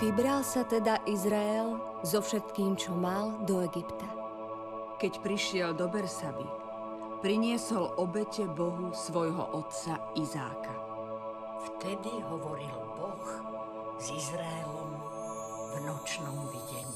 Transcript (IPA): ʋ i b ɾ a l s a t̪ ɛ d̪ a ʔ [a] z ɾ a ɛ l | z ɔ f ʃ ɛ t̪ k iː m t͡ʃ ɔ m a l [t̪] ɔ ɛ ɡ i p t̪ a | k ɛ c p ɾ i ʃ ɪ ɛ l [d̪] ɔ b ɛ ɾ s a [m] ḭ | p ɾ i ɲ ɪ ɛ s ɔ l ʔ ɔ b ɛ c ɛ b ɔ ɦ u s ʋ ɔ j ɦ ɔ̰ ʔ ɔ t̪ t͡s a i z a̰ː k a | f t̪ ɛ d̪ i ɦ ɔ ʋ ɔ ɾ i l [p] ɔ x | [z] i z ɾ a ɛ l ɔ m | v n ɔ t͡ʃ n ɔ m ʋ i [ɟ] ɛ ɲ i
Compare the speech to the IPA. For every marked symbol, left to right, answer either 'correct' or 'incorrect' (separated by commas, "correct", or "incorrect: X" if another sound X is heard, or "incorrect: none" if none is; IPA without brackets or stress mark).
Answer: incorrect: i, incorrect: d̪, correct, incorrect: b, incorrect: b, correct, correct